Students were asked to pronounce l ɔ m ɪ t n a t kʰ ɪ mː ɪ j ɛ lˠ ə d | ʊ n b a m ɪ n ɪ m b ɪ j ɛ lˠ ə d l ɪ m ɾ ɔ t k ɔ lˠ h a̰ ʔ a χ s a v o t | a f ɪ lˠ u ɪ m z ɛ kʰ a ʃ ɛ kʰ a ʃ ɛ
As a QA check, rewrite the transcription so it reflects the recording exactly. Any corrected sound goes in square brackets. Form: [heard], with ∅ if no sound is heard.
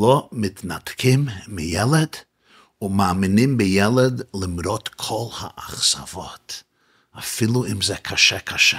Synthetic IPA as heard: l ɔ m ɪ t n a t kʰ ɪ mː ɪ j ɛ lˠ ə d | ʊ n [m] a m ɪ n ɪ m b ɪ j ɛ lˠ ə d l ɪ m ɾ ɔ t [kʰ] ɔ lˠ h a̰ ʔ a χ s a v [ɔ] t | a f ɪ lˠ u ɪ m z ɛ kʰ a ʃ ɛ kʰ a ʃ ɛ